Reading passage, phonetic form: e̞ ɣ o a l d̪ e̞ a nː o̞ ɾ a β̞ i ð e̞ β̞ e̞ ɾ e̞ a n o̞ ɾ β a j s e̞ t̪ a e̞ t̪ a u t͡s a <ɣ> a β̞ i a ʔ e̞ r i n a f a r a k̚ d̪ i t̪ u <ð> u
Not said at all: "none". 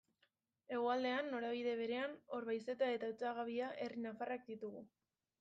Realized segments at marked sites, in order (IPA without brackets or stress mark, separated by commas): ɣ, ɣ